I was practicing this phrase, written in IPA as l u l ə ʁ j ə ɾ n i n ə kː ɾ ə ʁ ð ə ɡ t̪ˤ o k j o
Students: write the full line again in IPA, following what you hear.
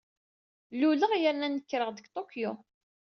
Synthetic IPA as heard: l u l ə ʁ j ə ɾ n æ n ə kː ɾ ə ʁ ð ə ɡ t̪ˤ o k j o